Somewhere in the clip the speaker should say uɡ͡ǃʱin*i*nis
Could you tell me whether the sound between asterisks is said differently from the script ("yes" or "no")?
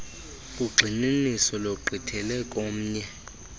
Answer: no